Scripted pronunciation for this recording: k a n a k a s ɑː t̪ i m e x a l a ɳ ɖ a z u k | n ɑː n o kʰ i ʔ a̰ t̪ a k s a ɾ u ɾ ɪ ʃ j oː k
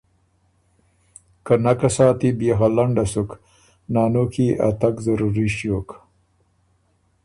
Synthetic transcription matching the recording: k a n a k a s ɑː t̪ i b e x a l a ɳ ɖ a s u k | n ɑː n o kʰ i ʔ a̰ t̪ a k z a ɾ u ɾ i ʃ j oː k